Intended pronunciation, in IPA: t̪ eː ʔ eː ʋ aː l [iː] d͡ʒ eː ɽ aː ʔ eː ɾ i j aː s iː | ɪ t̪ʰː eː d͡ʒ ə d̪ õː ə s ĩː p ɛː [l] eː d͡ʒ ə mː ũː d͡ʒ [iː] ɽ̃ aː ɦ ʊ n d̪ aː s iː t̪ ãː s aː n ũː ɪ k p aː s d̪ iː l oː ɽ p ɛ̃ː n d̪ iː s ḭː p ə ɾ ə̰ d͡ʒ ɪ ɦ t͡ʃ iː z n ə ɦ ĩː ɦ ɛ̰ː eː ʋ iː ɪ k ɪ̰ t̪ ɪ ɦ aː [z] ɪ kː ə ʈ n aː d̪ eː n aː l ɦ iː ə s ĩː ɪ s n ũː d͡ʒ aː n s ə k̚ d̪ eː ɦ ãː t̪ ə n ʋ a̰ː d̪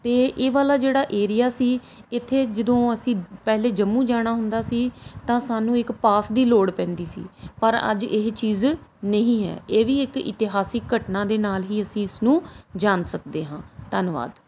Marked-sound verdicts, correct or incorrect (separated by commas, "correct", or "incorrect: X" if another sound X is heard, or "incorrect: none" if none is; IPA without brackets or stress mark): incorrect: aː, correct, incorrect: aː, incorrect: s